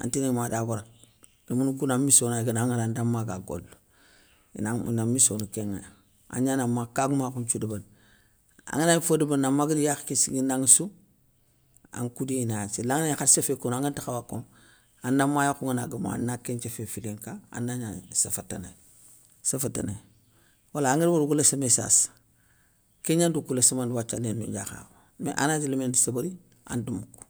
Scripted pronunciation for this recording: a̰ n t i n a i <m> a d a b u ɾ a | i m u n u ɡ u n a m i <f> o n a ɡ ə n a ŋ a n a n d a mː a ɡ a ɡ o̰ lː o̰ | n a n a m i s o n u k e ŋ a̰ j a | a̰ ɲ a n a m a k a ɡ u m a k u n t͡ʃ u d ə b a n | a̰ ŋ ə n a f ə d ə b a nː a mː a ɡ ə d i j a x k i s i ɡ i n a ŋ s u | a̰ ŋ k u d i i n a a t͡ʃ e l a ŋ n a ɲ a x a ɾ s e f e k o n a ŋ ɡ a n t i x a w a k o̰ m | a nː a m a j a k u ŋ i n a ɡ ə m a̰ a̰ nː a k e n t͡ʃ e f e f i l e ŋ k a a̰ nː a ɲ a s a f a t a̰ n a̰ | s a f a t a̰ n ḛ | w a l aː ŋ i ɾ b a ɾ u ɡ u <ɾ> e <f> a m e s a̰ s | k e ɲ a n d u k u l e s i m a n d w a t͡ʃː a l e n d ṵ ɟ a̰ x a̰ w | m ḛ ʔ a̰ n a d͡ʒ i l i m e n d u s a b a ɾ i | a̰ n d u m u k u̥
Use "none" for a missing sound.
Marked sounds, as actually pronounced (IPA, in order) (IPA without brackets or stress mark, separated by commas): m, s, l, s